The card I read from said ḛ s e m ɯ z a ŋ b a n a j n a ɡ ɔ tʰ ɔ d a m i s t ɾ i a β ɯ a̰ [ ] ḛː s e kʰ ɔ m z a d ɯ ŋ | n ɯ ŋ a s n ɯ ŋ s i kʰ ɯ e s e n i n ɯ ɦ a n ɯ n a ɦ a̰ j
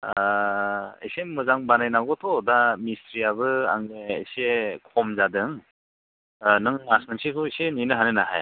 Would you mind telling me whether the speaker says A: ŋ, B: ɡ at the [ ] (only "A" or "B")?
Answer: A